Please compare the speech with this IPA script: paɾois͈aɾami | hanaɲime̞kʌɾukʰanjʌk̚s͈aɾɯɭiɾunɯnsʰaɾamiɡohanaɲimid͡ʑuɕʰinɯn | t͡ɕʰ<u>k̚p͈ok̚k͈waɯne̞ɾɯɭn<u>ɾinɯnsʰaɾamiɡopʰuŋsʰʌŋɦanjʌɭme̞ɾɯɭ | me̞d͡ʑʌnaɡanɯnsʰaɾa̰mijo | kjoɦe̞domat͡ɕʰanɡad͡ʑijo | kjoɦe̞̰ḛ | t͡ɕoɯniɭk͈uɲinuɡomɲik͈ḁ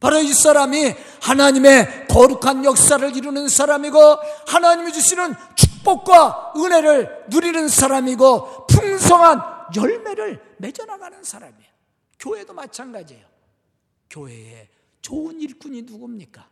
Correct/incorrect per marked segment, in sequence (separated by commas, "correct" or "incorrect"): correct, correct